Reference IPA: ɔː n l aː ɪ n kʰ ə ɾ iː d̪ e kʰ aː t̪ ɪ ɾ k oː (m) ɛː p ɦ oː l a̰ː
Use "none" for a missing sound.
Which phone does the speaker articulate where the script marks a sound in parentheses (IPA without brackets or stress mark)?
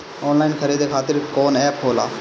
n